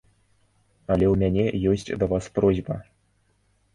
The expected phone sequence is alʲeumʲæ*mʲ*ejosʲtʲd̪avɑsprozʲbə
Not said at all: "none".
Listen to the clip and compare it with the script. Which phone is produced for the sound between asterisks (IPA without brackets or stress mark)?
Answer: nʲ